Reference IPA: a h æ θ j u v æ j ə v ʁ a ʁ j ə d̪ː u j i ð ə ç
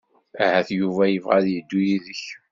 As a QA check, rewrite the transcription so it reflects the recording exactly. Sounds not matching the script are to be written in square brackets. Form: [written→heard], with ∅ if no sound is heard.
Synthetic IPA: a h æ θ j u v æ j ə v ʁ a [ʁ→ð] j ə d̪ː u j i ð ə ç